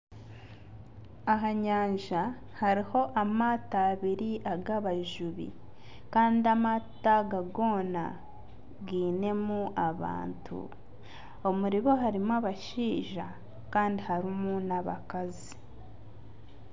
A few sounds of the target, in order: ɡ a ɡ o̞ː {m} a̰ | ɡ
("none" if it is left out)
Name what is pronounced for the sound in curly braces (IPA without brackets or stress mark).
n